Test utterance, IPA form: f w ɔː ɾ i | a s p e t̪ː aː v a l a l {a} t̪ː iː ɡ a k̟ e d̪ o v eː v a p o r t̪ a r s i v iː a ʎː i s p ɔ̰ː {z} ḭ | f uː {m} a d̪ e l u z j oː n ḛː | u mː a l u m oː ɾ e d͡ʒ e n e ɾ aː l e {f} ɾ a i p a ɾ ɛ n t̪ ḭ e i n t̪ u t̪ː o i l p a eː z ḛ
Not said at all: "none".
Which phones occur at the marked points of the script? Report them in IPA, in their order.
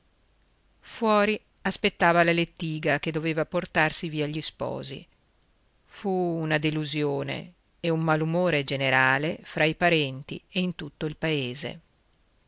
e, z, n, f

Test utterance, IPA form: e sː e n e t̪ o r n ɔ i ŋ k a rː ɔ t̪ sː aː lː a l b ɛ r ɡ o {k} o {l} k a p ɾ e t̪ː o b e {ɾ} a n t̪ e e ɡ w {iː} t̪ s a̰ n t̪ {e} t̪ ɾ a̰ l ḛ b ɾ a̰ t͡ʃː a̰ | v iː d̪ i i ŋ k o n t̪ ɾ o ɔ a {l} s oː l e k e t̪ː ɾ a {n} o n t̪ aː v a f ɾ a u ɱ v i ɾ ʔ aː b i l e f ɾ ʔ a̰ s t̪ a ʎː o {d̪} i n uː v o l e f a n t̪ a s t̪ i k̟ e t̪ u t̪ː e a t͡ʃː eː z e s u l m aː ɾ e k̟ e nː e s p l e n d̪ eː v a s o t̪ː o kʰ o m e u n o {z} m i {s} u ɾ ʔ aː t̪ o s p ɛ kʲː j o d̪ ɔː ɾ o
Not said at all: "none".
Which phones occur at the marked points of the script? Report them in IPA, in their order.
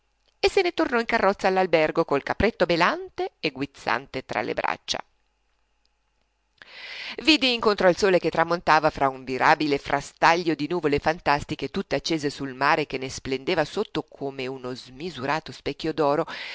k, l, l, i, e, l, m, d̪, z, z

